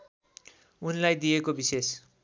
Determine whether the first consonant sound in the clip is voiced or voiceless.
voiced